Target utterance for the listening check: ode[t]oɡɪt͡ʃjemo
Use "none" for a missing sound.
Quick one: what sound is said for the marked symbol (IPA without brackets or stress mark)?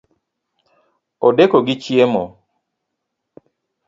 k